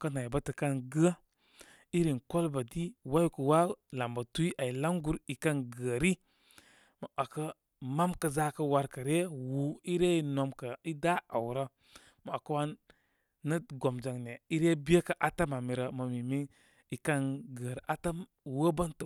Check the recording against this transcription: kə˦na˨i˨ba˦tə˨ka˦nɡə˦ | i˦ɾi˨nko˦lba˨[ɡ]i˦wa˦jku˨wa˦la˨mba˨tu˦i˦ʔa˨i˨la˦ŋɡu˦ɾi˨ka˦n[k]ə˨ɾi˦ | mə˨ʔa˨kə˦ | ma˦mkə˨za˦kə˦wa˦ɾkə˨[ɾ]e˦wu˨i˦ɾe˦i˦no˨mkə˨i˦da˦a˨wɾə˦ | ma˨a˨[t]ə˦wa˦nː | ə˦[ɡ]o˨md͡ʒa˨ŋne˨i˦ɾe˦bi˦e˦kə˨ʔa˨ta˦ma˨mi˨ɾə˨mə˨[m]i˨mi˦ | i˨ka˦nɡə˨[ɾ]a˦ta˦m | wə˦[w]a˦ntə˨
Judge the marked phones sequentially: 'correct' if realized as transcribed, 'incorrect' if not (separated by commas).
incorrect, incorrect, correct, incorrect, correct, correct, correct, incorrect